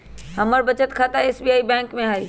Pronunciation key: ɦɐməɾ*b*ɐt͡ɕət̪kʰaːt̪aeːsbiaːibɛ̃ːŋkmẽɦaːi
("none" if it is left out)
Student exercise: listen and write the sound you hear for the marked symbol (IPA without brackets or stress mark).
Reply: b